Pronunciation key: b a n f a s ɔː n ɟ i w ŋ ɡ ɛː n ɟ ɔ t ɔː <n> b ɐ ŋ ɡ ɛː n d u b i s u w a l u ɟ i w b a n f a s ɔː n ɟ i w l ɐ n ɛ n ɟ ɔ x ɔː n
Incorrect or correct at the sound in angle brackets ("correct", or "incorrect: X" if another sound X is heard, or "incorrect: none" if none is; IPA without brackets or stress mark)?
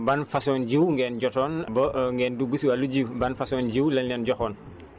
correct